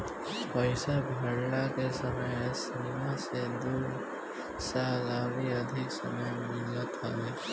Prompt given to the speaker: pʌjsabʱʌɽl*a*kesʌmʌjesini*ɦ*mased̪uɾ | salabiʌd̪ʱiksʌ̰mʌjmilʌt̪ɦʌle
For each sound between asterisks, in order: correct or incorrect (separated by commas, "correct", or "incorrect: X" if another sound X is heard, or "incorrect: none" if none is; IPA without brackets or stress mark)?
correct, incorrect: none